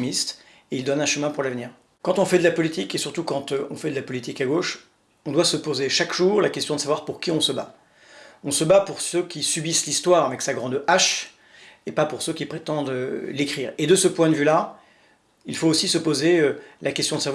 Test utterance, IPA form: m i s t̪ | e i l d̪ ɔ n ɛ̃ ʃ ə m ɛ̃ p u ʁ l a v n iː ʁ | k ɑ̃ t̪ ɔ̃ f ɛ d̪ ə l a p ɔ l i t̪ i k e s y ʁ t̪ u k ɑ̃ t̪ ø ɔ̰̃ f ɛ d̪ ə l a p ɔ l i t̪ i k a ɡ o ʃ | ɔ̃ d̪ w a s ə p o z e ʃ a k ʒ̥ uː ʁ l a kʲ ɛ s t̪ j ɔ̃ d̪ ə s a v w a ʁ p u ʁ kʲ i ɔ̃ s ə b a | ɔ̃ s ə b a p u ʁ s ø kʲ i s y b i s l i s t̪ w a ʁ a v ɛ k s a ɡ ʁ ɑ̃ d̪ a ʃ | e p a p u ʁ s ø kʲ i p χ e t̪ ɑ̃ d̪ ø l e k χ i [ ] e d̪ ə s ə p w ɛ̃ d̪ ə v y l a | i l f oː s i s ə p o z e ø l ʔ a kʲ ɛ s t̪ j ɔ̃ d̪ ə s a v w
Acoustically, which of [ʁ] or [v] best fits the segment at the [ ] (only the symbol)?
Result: ʁ